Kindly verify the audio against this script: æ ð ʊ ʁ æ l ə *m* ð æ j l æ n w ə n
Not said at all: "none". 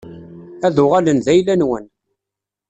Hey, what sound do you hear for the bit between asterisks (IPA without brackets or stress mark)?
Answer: n